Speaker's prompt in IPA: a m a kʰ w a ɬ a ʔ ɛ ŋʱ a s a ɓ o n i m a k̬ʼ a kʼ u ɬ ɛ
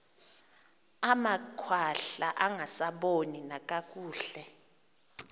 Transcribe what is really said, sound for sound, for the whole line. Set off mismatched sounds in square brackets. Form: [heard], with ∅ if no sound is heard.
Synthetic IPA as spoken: a m a kʰ w a ɬ a ʔ [a] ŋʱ a s a ɓ o n i [n] a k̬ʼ a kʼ [uː] ɬ ɛ